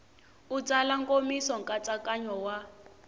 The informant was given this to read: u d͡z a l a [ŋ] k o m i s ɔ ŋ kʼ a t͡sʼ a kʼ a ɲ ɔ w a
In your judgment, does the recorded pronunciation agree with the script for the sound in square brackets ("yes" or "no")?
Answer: yes